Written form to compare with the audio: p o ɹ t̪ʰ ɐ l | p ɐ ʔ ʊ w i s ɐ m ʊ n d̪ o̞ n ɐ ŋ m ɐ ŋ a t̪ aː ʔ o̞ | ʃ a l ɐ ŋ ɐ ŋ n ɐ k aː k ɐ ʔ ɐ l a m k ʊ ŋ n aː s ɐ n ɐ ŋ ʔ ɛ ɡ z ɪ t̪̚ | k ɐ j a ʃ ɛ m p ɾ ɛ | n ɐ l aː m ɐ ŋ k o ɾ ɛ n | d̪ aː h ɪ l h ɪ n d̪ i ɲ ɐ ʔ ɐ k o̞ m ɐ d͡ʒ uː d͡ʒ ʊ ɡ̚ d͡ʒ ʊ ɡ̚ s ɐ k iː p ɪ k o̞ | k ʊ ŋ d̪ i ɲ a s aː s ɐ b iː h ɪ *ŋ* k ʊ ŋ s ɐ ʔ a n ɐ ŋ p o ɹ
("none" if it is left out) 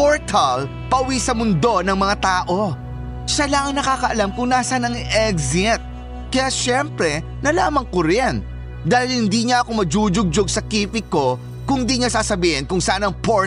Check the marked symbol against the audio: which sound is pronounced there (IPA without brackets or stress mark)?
n